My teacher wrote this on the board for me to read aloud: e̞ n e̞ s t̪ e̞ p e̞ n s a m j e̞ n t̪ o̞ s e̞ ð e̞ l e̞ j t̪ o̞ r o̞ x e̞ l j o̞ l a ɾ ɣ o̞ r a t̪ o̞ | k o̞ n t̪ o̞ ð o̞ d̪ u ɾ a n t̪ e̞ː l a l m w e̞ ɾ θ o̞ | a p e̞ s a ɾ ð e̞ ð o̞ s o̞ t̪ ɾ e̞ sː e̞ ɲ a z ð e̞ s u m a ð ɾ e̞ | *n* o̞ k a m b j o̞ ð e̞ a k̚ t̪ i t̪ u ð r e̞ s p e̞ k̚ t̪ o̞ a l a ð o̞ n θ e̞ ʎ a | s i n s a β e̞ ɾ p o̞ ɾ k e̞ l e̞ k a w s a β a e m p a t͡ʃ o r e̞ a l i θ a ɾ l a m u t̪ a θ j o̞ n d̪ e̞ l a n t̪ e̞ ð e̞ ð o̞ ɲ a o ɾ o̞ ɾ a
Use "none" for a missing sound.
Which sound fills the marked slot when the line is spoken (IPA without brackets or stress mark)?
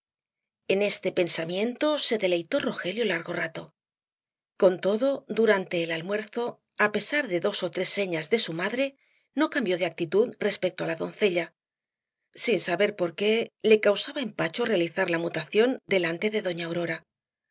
n